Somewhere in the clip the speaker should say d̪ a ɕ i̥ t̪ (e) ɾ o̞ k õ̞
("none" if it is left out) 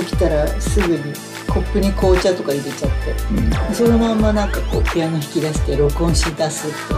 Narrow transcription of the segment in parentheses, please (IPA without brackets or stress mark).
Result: e